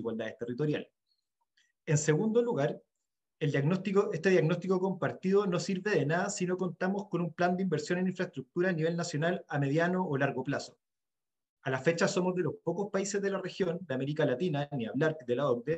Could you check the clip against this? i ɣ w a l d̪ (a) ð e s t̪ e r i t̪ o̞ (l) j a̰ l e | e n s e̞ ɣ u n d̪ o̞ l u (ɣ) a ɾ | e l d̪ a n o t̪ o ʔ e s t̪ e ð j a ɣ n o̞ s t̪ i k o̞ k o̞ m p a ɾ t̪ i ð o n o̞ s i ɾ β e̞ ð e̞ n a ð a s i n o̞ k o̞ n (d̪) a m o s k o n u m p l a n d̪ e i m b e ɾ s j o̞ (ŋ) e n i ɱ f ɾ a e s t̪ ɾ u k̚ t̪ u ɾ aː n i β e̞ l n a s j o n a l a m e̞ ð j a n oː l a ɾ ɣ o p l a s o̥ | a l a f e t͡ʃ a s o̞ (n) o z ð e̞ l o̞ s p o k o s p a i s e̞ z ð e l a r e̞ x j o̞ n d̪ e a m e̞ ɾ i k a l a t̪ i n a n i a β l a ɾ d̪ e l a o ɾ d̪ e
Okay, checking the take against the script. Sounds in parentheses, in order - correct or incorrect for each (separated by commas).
correct, incorrect, correct, incorrect, incorrect, incorrect